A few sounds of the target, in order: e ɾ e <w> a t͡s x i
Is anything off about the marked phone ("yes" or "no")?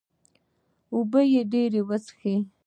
no